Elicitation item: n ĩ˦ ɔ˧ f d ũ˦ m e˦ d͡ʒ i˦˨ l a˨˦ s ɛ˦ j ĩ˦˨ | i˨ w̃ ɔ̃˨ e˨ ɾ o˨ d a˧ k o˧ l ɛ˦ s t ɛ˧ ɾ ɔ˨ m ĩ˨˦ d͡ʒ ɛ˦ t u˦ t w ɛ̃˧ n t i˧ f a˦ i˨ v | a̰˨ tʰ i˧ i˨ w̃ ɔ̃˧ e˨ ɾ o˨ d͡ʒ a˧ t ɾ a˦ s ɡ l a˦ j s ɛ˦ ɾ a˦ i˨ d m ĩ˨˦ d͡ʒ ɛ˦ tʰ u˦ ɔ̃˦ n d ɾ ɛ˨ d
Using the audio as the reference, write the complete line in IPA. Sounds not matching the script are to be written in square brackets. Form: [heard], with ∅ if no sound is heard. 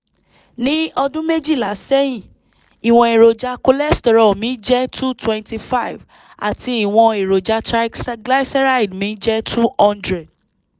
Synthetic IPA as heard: n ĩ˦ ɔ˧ [∅] d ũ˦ m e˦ d͡ʒ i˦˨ l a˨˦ s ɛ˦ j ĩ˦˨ | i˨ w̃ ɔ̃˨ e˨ ɾ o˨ [d͡ʒ] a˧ k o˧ l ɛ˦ s t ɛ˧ ɾ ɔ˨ m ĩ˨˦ d͡ʒ ɛ˦ t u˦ t w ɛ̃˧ n t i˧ f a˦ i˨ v | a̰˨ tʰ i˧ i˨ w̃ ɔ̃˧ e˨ ɾ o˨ d͡ʒ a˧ t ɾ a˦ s ɡ l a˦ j s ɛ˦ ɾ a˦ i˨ d m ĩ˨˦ d͡ʒ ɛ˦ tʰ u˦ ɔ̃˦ n d ɾ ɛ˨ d